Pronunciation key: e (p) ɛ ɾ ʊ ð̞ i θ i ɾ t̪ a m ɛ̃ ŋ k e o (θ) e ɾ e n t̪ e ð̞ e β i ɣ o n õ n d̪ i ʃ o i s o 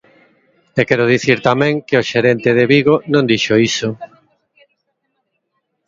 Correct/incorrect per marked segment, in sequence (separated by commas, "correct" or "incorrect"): incorrect, incorrect